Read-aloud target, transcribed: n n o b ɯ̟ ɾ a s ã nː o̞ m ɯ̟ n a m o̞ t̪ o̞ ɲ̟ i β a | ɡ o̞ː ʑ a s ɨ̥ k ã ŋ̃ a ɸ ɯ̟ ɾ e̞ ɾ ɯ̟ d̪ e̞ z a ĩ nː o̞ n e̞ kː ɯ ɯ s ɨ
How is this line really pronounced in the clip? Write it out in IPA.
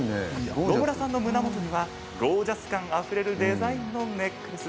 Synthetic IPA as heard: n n o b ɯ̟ ɾ a s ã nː o̞ m ɯ̟ n a m o̞ t̪ o̞ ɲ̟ i β a | ɡ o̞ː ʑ a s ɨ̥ k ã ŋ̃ a ɸ ɯ̟ ɾ e̞ ɾ ɯ̟ d̪ e̞ z a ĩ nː o̞ n e̞ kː ɯ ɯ s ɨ